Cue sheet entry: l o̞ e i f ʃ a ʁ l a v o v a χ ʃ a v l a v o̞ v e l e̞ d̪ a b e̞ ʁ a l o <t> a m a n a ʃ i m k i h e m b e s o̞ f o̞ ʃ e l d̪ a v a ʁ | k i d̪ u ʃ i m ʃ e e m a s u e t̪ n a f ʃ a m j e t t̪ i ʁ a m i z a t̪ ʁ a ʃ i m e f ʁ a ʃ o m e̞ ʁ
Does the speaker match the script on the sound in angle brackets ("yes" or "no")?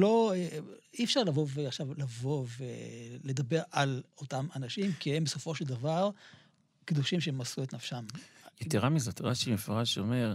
yes